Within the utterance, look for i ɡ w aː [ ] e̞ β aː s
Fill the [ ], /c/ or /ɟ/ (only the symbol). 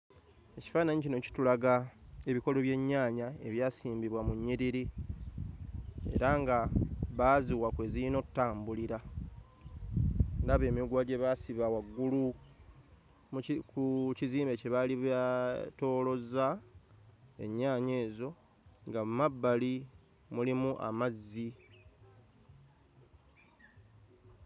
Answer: ɟ